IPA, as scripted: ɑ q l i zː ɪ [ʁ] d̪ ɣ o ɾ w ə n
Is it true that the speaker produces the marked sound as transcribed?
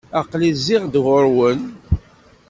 yes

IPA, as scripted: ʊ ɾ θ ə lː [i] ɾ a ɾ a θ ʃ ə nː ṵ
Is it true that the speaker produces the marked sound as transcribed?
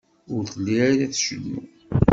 yes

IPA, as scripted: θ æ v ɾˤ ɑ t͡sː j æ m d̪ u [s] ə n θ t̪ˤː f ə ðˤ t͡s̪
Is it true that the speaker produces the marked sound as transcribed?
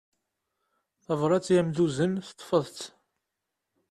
no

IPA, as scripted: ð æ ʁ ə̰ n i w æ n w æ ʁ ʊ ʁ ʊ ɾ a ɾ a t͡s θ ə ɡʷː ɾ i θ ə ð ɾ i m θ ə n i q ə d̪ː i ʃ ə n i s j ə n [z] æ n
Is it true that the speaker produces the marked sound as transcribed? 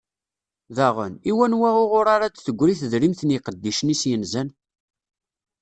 yes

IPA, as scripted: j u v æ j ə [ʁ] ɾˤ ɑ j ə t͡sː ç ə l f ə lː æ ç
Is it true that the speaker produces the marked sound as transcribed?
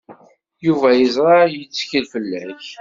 no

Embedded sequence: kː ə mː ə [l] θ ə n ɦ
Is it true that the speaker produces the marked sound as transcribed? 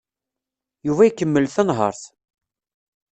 yes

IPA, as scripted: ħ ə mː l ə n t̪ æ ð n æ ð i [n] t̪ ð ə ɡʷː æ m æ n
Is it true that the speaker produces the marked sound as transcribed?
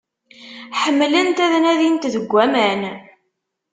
yes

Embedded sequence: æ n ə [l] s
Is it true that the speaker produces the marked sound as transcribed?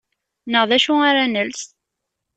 yes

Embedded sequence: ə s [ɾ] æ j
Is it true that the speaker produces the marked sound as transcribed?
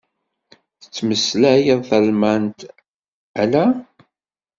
no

